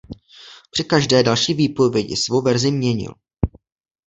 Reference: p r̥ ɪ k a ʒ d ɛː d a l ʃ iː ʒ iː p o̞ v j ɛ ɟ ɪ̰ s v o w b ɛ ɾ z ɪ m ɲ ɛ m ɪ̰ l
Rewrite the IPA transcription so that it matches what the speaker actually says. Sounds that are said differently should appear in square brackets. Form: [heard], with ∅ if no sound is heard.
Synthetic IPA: p r̥ ɪ k a ʒ d ɛː d a l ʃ iː [v] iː p o̞ v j ɛ ɟ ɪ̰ s v o w [v] ɛ ɾ z ɪ m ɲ ɛ [ɲ] ɪ̰ l